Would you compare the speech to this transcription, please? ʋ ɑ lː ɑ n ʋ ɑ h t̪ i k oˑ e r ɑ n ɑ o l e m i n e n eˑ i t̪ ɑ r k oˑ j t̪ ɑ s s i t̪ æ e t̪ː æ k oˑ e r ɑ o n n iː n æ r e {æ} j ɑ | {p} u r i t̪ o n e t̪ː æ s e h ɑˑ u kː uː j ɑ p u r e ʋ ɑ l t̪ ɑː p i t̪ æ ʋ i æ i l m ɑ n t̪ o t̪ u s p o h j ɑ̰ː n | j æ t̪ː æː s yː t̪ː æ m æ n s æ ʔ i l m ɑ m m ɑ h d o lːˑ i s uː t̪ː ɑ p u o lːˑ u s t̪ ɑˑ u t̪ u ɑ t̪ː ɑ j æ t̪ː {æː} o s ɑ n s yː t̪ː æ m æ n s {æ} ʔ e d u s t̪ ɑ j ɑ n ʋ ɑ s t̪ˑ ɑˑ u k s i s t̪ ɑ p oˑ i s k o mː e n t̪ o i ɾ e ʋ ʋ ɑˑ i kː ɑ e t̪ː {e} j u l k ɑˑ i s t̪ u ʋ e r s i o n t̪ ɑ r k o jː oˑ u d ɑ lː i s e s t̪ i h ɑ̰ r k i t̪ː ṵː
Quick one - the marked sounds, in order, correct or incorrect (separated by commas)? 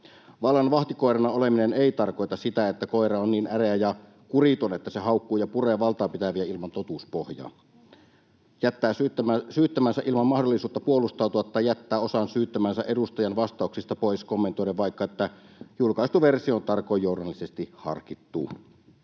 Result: correct, incorrect, correct, correct, incorrect